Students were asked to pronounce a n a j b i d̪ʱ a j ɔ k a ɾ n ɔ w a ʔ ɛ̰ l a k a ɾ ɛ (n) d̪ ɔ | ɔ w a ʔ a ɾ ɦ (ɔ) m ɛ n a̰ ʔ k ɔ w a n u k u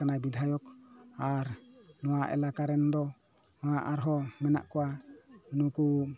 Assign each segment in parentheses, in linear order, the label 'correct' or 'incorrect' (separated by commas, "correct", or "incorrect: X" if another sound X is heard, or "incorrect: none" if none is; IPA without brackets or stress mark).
correct, correct